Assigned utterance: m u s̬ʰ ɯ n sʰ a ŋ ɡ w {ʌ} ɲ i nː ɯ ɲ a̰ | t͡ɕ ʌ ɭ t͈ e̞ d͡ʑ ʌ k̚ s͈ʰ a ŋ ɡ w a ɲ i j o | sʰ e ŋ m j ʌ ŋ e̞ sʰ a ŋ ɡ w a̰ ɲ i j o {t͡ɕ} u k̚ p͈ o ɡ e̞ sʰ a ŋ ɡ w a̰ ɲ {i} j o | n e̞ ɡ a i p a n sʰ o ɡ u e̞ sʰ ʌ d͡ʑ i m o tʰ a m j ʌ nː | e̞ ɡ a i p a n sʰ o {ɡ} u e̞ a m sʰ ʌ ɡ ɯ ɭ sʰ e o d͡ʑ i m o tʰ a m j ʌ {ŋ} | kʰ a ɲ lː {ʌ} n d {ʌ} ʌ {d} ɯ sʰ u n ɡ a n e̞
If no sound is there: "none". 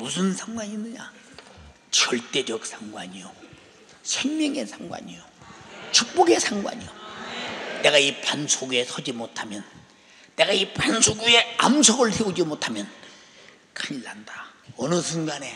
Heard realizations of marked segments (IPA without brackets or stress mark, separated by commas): a, t͡ɕ, i, ɡ, n, a, a, n